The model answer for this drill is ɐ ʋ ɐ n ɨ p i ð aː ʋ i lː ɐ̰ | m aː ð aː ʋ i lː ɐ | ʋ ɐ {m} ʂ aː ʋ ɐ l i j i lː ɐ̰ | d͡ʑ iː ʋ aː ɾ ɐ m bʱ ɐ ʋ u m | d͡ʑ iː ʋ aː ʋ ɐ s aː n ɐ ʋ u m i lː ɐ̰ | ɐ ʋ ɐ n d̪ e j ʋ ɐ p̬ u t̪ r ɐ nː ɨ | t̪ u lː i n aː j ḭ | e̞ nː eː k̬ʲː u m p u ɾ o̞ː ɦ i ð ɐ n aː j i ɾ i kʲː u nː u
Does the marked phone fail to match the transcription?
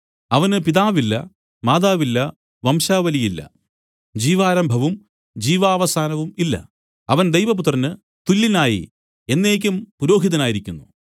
no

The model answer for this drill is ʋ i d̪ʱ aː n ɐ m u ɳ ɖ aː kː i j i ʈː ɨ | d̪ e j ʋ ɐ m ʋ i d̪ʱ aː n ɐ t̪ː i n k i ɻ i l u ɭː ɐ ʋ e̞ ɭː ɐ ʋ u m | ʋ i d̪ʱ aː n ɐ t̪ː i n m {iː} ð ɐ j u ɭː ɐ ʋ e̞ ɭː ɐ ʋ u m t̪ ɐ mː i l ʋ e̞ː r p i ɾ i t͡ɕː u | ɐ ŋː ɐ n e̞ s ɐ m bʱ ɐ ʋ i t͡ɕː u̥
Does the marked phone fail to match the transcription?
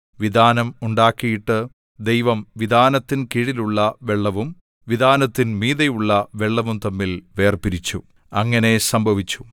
no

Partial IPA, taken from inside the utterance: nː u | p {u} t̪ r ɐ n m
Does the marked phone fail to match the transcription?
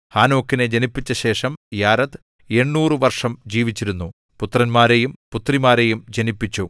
no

